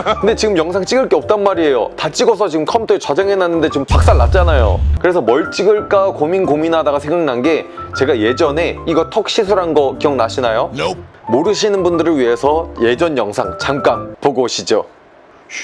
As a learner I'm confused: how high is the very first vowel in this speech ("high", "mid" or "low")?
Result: high